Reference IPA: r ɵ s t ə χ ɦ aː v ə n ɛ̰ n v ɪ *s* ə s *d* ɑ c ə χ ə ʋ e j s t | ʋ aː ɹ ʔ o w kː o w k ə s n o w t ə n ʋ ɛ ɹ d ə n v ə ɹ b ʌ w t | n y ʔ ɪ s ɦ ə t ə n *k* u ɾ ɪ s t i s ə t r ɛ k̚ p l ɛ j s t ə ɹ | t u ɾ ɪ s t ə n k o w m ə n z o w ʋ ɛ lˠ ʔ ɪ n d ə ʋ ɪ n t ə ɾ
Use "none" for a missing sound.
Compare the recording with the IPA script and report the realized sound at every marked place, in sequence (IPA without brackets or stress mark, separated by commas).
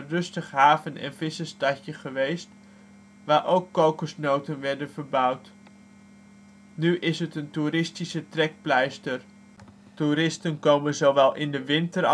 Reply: s, t, t